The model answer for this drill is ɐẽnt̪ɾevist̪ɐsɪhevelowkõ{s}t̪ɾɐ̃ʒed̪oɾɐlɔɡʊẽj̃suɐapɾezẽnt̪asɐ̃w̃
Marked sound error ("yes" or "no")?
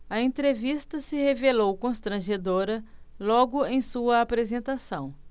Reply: no